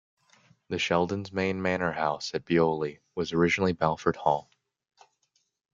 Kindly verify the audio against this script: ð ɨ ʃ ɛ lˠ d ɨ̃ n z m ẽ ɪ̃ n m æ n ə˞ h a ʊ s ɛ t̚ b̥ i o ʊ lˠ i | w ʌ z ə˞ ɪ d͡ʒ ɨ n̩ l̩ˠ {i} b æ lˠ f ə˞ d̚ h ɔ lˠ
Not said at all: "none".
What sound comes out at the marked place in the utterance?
i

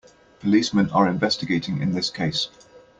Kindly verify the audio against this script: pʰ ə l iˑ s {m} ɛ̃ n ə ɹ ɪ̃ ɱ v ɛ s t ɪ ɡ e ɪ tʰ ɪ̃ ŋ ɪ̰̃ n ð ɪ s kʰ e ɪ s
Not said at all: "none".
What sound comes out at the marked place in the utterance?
m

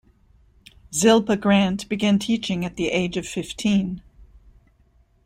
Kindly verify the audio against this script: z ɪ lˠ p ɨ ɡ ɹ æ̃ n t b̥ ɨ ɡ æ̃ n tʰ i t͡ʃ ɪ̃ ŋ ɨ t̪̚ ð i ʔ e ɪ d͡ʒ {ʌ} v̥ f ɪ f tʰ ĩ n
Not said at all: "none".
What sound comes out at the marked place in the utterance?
ʌ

